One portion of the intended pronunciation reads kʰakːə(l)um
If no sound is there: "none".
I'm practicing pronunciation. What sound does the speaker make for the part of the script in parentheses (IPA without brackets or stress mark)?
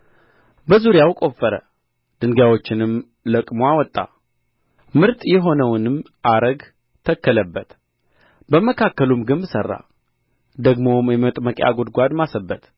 l